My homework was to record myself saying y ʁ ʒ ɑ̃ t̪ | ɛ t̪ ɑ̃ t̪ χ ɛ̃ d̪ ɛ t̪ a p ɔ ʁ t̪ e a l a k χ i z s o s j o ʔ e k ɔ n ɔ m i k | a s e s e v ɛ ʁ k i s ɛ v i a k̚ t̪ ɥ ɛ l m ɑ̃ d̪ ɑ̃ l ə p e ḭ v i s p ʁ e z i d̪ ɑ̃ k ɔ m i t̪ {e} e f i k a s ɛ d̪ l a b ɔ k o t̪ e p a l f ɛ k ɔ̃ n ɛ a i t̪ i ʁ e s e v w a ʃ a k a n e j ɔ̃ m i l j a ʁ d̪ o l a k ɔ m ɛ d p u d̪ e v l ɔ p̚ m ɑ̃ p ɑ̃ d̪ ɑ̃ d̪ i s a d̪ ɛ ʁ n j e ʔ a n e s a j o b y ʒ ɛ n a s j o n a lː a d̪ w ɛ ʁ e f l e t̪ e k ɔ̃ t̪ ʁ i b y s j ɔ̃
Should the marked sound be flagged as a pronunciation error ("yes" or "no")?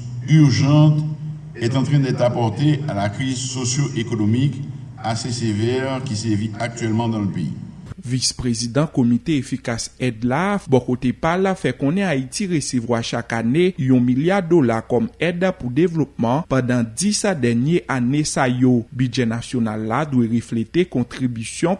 no